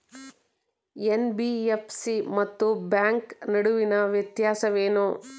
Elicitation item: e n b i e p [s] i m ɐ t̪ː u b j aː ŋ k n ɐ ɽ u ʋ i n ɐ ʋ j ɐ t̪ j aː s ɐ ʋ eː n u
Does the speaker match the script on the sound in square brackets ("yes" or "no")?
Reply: yes